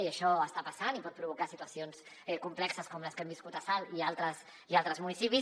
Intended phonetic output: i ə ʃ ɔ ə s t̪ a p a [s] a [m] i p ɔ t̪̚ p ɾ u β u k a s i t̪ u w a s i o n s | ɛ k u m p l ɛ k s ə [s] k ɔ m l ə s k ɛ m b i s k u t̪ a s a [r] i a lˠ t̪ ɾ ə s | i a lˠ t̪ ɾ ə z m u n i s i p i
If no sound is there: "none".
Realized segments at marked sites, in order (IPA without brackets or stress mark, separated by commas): s, n, s, l